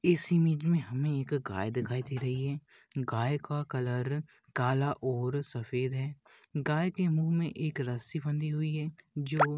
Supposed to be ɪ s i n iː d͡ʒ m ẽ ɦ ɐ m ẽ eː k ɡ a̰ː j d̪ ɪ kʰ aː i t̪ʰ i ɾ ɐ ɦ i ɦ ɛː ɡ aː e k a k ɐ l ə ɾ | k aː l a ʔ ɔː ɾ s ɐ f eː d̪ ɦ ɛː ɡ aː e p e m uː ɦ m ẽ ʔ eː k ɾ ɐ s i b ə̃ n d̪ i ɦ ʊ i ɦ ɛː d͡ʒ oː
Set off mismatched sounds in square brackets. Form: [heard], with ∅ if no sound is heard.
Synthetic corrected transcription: ɪ s i [m] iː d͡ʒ m ẽ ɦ ɐ m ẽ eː k ɡ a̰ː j d̪ ɪ kʰ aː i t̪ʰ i ɾ ɐ ɦ i ɦ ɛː ɡ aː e k a k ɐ l ə ɾ | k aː l a ʔ ɔː ɾ s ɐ f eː d̪ ɦ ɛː ɡ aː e [k] e m uː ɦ m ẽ ʔ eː k ɾ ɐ s i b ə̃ n d̪ i ɦ ʊ i ɦ ɛː d͡ʒ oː